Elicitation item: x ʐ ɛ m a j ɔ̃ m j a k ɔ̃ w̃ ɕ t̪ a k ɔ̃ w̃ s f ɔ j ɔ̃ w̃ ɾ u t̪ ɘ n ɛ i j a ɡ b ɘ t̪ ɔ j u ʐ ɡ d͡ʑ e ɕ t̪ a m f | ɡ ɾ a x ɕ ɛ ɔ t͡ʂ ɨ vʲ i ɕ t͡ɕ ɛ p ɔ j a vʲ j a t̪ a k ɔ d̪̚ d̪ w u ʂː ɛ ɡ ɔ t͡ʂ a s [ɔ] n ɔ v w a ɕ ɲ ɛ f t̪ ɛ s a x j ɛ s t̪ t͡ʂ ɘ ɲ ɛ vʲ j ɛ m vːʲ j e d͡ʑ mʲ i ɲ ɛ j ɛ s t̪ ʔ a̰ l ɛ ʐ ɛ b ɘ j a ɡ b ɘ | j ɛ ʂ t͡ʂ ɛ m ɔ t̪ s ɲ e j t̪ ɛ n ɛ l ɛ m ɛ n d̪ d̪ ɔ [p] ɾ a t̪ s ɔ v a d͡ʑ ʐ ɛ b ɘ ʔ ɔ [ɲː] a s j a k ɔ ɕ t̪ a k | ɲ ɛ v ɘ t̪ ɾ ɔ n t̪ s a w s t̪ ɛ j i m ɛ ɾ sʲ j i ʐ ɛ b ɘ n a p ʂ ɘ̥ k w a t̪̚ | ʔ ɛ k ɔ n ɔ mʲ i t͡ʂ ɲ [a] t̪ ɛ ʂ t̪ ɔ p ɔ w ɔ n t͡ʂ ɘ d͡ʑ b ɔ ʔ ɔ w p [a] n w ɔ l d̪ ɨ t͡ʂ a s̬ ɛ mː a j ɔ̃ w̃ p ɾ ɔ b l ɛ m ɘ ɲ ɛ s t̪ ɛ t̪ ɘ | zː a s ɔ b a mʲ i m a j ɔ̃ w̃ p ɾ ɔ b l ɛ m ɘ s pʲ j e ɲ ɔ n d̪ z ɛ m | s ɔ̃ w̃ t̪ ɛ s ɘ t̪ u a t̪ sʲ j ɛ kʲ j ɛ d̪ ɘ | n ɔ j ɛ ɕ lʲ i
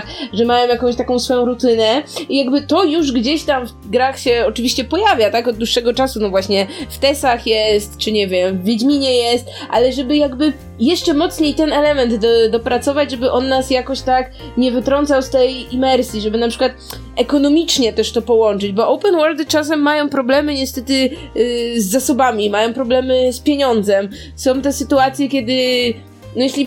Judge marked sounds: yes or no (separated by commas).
no, yes, no, no, no